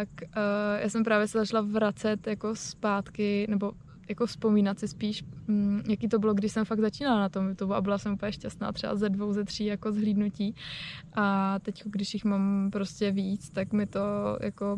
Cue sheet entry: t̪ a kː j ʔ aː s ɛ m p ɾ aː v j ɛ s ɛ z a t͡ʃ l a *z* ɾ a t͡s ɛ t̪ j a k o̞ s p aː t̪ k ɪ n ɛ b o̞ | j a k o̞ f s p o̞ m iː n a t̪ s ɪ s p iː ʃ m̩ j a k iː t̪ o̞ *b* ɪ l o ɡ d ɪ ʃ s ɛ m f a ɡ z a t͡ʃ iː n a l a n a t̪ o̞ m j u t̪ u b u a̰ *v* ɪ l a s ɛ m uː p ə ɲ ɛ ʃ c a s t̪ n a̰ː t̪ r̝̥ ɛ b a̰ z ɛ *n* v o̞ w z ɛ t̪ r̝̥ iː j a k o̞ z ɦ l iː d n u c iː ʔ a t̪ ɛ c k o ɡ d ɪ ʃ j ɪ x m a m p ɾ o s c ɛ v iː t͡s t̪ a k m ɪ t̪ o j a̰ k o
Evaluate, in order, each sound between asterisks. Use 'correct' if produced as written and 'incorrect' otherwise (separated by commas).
incorrect, correct, incorrect, incorrect